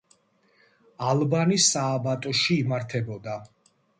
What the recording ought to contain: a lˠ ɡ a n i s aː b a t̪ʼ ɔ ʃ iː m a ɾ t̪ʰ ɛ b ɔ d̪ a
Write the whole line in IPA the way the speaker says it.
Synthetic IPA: a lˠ b a n i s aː b a t̪ʼ ɔ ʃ iː m a ɾ t̪ʰ ɛ b ɔ d̪ a